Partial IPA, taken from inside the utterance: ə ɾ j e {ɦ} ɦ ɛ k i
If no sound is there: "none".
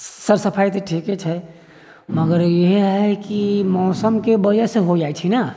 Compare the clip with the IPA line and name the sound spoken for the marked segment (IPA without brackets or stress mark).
ɦ